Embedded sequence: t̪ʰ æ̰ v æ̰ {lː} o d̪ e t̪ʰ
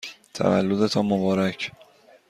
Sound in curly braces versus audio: correct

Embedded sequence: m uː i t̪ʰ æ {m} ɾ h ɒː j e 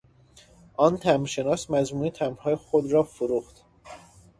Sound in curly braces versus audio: correct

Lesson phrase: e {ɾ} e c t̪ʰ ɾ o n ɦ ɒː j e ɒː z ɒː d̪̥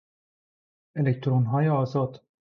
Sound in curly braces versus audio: incorrect: l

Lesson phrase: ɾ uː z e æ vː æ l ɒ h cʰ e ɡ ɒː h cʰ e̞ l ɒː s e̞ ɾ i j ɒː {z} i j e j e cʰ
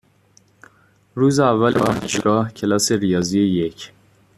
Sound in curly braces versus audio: correct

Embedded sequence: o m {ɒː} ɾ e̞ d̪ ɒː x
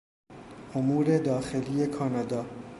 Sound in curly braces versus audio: incorrect: uː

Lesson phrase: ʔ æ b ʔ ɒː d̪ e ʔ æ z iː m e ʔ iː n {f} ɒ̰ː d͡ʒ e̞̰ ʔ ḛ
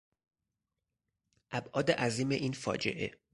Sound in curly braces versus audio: correct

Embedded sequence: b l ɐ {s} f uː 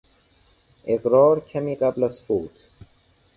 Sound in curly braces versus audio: correct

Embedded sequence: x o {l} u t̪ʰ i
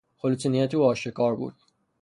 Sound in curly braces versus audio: correct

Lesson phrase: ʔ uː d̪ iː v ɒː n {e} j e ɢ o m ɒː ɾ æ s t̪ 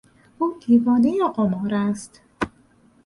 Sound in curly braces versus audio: correct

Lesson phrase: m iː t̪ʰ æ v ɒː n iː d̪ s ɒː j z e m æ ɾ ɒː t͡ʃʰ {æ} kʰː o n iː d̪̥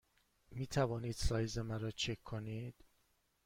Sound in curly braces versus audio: incorrect: e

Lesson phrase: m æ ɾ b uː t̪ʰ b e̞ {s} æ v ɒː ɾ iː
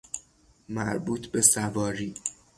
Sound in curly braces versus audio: correct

